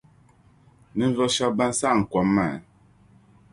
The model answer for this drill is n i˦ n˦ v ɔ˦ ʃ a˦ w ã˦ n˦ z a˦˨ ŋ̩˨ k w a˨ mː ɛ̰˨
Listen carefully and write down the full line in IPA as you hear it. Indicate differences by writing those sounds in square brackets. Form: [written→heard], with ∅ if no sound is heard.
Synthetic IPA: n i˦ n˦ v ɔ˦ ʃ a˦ [w→b] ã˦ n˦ [z→s] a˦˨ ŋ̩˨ k w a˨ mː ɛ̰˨

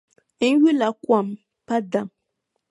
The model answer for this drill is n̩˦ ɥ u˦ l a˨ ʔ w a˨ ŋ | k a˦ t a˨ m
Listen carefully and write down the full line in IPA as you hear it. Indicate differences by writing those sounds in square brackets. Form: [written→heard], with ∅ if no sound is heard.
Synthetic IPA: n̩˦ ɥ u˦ l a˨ [ʔ→k] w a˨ [ŋ→m] | [k→p] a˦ [t→d] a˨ m

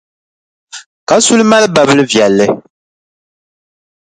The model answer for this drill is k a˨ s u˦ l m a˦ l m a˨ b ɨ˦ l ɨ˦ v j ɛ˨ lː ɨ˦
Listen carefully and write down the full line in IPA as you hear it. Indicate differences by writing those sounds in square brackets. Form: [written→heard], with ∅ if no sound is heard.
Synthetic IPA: k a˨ s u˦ l m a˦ l [m→b] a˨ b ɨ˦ l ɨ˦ v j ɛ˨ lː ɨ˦

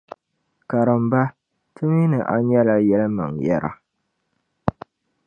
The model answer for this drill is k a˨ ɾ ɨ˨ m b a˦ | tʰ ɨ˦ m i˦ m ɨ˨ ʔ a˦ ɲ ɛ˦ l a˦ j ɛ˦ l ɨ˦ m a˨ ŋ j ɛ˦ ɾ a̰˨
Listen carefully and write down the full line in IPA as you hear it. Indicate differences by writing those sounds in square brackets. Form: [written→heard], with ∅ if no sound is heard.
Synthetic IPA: k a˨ ɾ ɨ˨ m b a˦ | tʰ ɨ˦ m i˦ [m→n] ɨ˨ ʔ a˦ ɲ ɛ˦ l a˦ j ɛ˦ l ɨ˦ m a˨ ŋ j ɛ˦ ɾ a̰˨

